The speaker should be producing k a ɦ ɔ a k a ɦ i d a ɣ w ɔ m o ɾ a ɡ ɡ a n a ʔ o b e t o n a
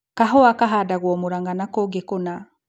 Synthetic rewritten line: k a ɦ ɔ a k a ɦ a d a ɣ w ɔ m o ɾ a ŋ ɡ a n a k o ɡ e k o n a